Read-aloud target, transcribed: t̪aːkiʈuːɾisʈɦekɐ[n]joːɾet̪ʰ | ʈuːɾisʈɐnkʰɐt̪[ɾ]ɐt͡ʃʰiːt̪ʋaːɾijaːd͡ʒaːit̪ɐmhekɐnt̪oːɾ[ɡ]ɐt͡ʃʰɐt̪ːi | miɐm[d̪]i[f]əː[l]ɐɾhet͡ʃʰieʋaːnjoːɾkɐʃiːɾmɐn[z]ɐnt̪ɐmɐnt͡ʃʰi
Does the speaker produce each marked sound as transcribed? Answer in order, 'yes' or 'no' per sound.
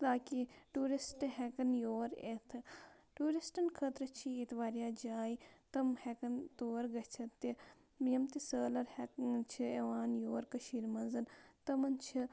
yes, yes, yes, no, no, yes, yes

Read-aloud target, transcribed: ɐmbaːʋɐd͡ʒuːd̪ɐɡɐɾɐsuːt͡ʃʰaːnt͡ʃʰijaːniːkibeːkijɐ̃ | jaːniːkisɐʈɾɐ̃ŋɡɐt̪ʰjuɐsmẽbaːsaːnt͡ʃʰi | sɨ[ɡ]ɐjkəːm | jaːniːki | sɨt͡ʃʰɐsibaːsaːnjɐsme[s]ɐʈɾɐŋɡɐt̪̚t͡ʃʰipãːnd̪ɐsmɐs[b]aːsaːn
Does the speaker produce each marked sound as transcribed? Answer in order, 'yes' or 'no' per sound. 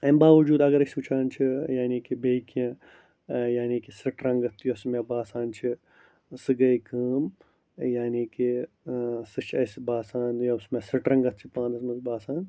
yes, yes, yes

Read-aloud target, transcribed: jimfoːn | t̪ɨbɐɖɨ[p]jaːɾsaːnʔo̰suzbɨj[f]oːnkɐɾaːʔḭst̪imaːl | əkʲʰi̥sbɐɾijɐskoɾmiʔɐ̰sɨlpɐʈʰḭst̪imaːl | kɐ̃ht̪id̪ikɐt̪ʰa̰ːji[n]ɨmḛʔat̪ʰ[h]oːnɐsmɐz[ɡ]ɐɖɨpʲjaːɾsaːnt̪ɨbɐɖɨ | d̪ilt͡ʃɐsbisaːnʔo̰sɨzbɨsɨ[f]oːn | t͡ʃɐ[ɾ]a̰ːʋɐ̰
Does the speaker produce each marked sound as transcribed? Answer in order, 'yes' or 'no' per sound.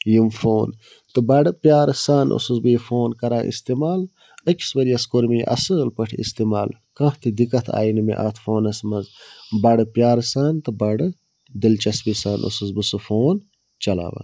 yes, yes, yes, no, no, yes, no

